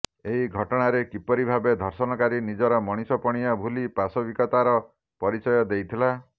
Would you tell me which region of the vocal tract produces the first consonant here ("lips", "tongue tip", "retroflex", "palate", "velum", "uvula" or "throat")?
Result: throat